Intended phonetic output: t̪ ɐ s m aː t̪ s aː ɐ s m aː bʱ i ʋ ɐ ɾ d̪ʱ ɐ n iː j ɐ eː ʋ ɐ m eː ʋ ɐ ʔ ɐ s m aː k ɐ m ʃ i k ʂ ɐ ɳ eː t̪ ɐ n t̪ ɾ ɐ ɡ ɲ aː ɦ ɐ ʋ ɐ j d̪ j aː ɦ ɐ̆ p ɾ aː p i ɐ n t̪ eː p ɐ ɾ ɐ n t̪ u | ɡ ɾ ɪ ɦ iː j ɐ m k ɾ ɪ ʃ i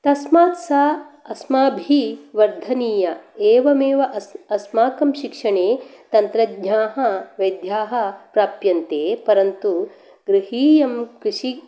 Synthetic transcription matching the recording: t̪ ɐ s m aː t̪ s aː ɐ s m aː bʱ i ʋ ɐ ɾ d̪ʱ ɐ n iː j ɐ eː ʋ ɐ m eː ʋ ɐ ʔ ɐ s m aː k ɐ m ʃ i k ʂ ɐ ɳ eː t̪ ɐ n t̪ ɾ ɐ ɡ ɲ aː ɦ ɐ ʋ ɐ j d̪ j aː ɦ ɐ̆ p ɾ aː p j ɐ n t̪ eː p ɐ ɾ ɐ n t̪ u | ɡ ɾ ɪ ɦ iː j ɐ m k ɾ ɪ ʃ i

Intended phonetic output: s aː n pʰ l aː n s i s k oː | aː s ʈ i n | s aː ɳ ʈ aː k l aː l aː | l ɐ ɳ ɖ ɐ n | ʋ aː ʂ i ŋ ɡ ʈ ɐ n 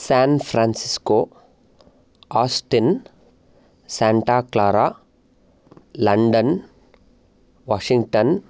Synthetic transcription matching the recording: s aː n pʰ ɾ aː n s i s k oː | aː s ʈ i n | s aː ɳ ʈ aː k l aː ɾ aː | l ɐ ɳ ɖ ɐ n | ʋ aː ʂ i ŋ ɡ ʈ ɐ n

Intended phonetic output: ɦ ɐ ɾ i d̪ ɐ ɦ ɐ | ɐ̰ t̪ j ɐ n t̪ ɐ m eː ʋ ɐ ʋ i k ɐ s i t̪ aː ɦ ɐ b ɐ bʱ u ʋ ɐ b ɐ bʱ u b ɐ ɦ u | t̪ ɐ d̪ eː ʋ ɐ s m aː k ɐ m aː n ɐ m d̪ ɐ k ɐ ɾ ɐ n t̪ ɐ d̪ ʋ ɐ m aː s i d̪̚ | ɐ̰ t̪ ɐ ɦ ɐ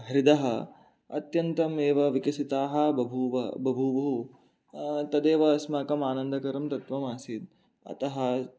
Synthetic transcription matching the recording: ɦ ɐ ɾ i d̪ ɐ ɦ ɐ | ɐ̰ t̪ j ɐ n t̪ ɐ m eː ʋ ɐ ʋ i k ɐ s i t̪ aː ɦ ɐ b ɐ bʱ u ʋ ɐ b ɐ bʱ u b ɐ ɦ u | t̪ ɐ d̪ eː ʋ ɐ s m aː k ɐ m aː n ɐ n d̪ ɐ k ɐ ɾ ɐ m t̪ ɐ t̪ ʋ ɐ m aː s i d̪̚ | ɐ̰ t̪ ɐ ɦ ɐ

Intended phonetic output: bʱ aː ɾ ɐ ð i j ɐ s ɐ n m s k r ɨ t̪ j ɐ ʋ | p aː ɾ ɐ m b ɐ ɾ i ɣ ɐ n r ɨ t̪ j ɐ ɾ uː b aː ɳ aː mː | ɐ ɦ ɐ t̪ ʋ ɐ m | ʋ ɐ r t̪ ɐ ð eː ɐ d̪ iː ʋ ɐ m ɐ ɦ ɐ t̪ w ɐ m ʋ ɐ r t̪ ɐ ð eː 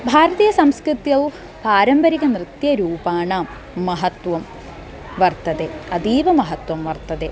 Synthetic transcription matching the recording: bʱ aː ɾ ɐ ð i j ɐ s ɐ m s k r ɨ t̪ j ɐ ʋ | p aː ɾ ɐ m b ɐ ɾ i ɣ ɐ n r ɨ t̪ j ɐ ɾ uː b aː ɳ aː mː | ɐ ɦ ɐ t̪ ʋ ɐ m | ʋ ɐ r t̪ ɐ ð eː ɐ d̪ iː ʋ ɐ m ɐ ɦ ɐ t̪ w ɐ m ʋ ɐ r t̪ ɐ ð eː

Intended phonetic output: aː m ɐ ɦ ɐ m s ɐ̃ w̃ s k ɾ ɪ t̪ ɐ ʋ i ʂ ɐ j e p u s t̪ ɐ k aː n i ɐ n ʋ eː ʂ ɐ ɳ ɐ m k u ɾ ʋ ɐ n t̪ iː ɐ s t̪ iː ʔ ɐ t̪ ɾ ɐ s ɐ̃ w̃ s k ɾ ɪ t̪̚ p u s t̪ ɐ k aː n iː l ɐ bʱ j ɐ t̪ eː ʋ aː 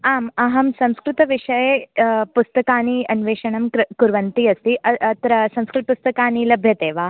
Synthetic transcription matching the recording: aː m ɐ ɦ ɐ m s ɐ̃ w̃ s k ɾ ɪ t̪ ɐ ʋ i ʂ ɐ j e p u s t̪ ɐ k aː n i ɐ n ʋ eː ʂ ɐ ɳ ɐ m k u ɾ ʋ ɐ n t̪ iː ɐ s t̪ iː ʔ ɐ t̪ ɾ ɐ s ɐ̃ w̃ s k ɾ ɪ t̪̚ p u s t̪ ɐ k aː n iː l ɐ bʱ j ɐ t̪ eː ʋ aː

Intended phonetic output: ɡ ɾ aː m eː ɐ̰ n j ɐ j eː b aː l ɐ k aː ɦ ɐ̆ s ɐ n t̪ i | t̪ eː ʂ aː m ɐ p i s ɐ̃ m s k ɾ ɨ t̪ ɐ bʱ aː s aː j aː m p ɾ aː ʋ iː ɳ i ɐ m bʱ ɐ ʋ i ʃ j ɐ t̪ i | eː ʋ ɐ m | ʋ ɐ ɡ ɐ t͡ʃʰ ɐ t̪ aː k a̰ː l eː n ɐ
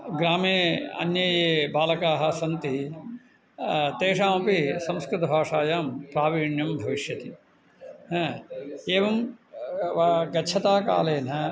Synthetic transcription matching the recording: ɡ ɾ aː m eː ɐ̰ n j ɐ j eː b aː l ɐ k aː ɦ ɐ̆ s ɐ n t̪ i | t̪ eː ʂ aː m ɐ p i s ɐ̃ m s k ɾ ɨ t̪ ɐ bʱ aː ʂ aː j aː m p ɾ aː ʋ iː ɳ j ɐ m bʱ ɐ ʋ i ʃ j ɐ t̪ i | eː ʋ ɐ m | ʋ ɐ ɡ ɐ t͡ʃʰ ɐ t̪ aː k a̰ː l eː n ɐ

